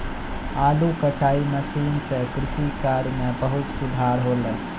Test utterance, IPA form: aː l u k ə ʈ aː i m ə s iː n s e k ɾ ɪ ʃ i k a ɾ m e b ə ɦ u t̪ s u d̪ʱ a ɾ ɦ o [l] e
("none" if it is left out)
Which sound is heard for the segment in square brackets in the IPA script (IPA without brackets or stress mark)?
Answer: l